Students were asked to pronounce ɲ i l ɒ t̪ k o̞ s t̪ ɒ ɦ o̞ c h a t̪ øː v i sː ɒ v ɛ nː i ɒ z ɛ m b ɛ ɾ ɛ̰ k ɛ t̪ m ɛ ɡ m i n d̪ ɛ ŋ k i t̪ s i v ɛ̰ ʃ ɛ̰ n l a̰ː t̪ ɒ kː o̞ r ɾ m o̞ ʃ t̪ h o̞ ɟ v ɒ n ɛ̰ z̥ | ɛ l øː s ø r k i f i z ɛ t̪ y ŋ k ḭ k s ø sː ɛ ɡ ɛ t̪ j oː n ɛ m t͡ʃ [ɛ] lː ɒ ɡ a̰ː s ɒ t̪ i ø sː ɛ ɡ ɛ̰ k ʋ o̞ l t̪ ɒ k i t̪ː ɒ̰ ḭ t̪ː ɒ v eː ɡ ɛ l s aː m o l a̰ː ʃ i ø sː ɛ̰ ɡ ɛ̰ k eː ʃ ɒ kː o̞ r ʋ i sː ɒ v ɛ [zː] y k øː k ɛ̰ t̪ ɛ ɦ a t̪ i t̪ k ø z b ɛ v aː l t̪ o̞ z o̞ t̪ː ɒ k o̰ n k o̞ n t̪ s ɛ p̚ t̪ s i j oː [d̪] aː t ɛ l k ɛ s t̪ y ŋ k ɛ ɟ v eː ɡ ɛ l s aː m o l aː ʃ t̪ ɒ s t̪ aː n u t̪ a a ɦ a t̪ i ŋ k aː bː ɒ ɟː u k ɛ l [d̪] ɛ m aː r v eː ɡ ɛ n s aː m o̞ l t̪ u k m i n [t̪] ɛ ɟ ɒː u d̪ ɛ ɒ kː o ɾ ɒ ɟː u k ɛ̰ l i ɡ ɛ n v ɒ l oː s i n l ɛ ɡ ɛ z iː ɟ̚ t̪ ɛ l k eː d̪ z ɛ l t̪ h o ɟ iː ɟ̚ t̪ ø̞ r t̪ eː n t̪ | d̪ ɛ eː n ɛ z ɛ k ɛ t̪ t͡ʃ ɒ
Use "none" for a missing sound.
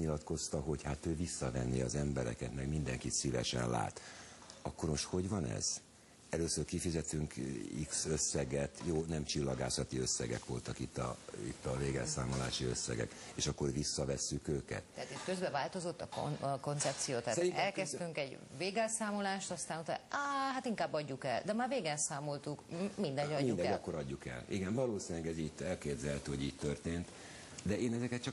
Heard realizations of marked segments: i, sː, t̪, d̪, d̪

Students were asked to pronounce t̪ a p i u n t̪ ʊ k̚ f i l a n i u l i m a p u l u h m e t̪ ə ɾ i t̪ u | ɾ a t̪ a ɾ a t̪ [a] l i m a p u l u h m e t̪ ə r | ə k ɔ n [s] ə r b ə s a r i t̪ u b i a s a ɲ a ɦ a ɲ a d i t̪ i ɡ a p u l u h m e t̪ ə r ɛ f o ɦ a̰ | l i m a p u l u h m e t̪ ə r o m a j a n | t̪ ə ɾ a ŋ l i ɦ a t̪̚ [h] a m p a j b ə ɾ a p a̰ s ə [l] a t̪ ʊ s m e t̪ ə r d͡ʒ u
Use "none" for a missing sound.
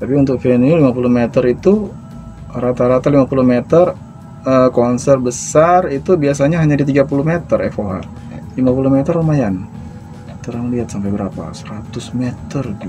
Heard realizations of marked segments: a, s, s, ɾ

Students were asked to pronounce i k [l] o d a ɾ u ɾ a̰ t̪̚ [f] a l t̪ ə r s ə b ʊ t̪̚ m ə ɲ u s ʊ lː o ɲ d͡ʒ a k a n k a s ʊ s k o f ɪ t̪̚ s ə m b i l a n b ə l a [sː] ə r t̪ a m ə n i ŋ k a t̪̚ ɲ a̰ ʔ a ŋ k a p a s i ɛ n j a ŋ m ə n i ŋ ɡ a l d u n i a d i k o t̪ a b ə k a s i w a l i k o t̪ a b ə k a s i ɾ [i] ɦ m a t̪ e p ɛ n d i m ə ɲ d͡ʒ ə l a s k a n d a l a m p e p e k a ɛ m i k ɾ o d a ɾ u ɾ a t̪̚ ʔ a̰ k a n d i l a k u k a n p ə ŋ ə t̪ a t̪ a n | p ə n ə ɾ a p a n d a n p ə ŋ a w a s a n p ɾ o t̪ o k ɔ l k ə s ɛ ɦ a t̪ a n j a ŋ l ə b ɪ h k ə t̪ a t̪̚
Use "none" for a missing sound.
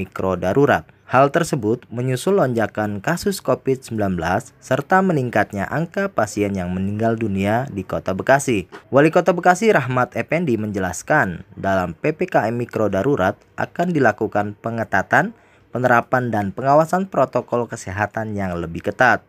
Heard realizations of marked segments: ɾ, h, sː, a

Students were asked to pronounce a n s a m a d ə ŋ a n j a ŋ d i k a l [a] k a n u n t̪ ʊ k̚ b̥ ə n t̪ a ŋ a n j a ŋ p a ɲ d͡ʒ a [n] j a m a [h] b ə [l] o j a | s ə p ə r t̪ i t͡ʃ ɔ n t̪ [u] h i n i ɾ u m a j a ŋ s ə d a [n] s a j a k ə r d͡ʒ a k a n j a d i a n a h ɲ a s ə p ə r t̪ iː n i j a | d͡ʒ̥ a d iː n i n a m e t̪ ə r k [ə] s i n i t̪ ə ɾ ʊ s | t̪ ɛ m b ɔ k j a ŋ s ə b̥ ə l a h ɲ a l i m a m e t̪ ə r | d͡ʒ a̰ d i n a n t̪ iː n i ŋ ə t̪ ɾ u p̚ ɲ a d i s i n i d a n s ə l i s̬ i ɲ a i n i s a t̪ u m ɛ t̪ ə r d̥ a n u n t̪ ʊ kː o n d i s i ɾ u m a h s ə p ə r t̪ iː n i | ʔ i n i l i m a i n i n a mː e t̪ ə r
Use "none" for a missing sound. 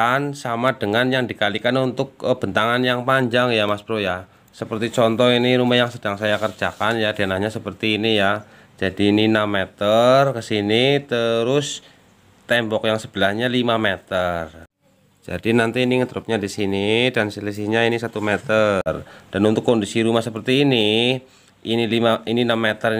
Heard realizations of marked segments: i, ŋ, s, ɾ, ɔ, ŋ, ə

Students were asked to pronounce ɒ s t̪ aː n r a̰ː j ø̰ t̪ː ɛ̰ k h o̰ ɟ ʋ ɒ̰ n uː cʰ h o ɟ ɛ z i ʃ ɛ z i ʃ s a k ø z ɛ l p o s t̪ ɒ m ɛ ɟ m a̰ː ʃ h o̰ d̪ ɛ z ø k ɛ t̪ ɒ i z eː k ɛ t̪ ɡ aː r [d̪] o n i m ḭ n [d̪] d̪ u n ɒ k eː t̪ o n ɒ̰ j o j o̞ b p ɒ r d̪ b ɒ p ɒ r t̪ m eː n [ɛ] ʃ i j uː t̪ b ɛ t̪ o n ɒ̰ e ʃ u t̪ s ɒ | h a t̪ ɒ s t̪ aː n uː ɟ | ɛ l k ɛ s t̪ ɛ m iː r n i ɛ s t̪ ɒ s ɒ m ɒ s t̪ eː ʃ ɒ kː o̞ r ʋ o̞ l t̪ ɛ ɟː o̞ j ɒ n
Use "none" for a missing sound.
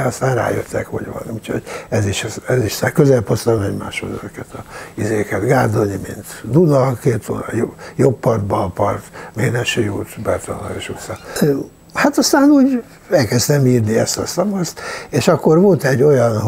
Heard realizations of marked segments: d̪, t̪, ɛ

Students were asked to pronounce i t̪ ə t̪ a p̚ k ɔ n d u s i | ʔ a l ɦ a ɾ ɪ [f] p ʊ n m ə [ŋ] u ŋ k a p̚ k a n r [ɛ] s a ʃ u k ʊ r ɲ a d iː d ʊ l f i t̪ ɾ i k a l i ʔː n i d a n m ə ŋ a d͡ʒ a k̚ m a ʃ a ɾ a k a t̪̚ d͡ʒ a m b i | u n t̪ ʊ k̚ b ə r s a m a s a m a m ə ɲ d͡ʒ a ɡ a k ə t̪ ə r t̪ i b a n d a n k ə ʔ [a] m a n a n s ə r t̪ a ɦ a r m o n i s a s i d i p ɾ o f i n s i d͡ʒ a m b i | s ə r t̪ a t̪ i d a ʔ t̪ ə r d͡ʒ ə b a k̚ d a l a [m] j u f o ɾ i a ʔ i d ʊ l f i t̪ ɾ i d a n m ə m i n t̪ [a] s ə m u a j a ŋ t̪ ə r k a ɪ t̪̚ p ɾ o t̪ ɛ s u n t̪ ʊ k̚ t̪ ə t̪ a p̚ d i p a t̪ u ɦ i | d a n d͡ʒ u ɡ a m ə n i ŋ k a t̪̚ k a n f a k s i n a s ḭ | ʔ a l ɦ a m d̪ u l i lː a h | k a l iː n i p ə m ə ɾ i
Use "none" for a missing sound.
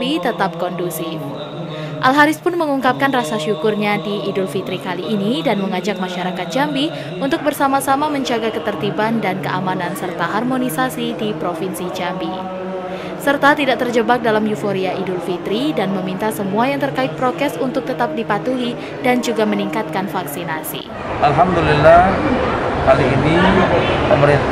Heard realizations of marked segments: s, ŋ, a, a, m, a

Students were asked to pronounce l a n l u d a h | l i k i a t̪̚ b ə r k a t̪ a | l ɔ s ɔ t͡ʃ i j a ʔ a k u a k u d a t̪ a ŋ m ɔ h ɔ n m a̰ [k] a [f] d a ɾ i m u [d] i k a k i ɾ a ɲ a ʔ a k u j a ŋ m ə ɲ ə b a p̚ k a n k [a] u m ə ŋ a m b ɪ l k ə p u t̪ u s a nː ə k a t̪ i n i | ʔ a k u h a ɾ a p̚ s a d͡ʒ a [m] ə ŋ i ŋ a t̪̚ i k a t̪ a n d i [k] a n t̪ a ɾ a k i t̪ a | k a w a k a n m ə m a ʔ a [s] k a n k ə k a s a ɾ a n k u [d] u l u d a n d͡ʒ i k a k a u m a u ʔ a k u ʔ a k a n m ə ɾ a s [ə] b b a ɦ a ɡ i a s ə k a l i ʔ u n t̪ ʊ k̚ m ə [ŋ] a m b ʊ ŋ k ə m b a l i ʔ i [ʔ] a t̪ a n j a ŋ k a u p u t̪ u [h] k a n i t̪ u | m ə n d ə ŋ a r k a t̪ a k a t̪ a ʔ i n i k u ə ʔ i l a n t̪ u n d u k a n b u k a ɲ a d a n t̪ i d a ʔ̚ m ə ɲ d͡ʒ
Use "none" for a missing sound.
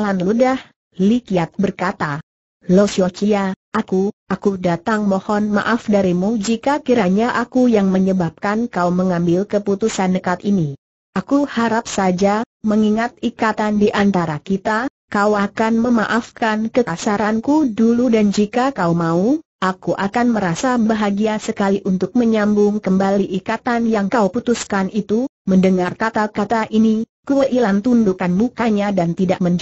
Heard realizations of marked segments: ʔ, f, d͡ʒ, a, m, ʔ, f, d, a, ɲ, k, s

